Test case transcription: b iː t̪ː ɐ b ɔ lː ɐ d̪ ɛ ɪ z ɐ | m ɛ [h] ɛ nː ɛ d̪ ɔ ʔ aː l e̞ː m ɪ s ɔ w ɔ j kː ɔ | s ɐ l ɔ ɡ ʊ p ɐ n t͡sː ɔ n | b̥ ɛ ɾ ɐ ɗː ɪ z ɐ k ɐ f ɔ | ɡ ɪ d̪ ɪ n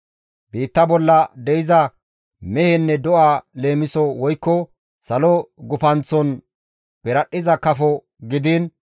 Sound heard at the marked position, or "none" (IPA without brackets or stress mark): h